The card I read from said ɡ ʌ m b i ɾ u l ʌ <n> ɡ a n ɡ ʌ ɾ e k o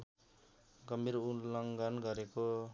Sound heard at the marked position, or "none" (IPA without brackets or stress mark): ŋ